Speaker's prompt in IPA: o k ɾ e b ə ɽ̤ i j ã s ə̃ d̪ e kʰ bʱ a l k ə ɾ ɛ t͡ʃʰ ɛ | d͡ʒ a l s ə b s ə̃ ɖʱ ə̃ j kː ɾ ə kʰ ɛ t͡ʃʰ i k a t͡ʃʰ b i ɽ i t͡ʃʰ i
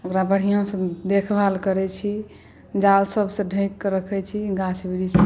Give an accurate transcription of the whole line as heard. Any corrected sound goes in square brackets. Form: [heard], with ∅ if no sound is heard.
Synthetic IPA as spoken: o k ɾ [a] b ə ɽ̤ i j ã s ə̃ d̪ e kʰ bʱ a l k ə ɾ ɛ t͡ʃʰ [i] | d͡ʒ a l s ə b s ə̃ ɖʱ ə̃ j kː ɾ ə kʰ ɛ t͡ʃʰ i [ɡ] a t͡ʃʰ b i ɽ i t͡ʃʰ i

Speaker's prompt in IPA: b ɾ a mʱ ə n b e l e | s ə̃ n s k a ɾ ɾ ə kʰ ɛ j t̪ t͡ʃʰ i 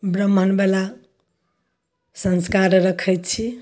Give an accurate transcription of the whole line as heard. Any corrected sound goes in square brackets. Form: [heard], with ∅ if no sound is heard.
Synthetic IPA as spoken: b ɾ [ə] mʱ ə n b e l [a] | s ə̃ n s k a ɾ ɾ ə kʰ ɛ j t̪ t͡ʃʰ i

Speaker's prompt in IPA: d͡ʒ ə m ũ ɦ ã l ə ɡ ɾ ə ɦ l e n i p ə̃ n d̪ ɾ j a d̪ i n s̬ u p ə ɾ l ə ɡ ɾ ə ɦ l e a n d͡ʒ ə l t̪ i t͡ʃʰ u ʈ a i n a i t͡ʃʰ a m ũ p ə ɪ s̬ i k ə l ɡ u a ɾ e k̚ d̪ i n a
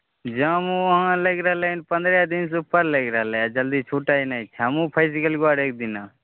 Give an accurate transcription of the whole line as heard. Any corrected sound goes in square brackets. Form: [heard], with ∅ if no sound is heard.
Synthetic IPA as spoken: d͡ʒ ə m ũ ɦ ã l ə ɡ ɾ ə ɦ l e n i p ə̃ n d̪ ɾ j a d̪ i n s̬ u p ə ɾ l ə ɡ ɾ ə ɦ l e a [∅] d͡ʒ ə l [d̪] i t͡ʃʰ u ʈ a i n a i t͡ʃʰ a m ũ [pʰ] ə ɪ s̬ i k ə l ɡ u a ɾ e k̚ d̪ i n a

